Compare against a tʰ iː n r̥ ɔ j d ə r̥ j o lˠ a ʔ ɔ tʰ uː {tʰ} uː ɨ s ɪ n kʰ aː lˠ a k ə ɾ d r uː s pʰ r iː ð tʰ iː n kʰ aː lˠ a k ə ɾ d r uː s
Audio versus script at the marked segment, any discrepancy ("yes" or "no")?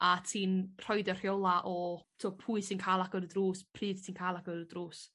yes